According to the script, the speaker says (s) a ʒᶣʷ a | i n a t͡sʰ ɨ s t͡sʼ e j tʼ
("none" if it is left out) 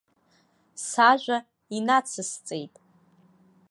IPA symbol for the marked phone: s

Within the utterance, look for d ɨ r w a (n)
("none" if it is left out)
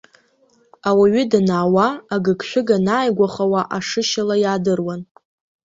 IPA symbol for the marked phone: n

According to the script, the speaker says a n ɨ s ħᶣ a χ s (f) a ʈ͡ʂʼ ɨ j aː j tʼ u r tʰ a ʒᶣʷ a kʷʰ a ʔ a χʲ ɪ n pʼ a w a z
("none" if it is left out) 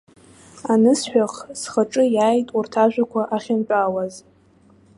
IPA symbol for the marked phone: χ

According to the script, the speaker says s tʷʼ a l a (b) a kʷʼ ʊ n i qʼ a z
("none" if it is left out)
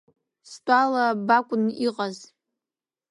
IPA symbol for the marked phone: b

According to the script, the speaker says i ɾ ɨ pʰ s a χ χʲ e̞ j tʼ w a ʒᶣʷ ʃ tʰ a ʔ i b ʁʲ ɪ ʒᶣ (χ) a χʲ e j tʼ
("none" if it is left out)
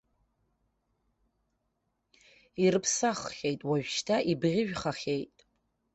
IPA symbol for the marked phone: χ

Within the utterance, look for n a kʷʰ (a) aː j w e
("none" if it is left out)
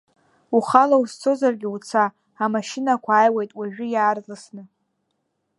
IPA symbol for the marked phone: a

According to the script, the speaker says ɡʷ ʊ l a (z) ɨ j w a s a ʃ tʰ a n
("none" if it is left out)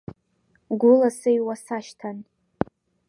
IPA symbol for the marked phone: s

